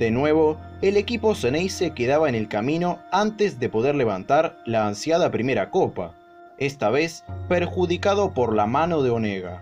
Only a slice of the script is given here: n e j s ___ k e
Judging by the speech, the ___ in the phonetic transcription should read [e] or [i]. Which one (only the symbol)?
e